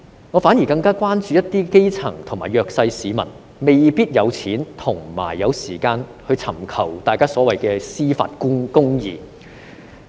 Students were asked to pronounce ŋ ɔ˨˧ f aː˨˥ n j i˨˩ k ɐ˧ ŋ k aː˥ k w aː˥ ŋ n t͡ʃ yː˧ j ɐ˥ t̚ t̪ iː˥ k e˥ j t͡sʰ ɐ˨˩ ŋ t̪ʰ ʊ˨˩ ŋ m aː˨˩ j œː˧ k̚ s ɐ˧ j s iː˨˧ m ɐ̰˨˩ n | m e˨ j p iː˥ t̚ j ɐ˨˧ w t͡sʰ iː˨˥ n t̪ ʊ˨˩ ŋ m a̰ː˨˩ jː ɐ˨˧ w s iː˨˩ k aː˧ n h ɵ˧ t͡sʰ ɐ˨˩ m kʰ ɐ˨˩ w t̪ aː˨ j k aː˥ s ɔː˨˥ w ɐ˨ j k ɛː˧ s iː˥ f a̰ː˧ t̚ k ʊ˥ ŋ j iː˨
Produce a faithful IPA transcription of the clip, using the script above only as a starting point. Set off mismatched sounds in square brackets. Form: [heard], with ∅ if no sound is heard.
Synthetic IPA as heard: ŋ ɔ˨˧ f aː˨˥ n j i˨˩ k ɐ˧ ŋ k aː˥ k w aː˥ [∅] n t͡ʃ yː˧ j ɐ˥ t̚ t̪ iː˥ k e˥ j t͡sʰ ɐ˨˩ ŋ t̪ʰ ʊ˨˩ ŋ m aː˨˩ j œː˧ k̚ s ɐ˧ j s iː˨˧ m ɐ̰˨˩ n | m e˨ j p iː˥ t̚ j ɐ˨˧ w t͡sʰ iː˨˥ n [t̪ʰ] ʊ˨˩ ŋ m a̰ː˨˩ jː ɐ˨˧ w s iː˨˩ k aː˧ n h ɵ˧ t͡sʰ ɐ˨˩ m kʰ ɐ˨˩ w t̪ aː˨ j k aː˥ s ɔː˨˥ w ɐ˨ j k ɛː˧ s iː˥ f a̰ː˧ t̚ k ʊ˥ ŋ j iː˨